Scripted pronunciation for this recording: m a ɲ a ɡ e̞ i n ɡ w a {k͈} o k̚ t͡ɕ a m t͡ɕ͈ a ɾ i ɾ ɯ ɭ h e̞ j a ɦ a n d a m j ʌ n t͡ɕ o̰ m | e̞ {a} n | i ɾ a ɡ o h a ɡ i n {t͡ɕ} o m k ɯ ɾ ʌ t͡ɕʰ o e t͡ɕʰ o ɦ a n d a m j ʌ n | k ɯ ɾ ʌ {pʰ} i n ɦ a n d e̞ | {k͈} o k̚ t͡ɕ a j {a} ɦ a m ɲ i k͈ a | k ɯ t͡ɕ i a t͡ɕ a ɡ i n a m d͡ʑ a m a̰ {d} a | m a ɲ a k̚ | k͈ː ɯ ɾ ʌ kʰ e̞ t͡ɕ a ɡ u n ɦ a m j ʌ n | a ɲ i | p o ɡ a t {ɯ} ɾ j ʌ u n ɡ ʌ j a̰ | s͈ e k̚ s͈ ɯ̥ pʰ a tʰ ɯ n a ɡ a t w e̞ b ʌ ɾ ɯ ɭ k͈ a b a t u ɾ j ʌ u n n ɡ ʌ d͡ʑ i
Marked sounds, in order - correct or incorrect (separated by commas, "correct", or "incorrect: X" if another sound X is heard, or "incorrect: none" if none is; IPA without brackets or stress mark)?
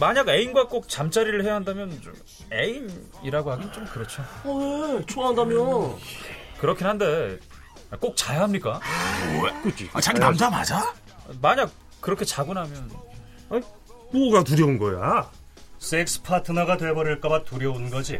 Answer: correct, incorrect: i, correct, incorrect: kʰ, correct, correct, incorrect: d͡ʑ, incorrect: u